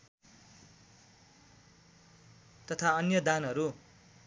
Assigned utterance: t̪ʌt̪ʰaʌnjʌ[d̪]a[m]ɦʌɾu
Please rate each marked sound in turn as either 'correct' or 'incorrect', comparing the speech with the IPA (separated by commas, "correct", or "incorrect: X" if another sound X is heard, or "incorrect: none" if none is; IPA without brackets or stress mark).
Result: correct, incorrect: n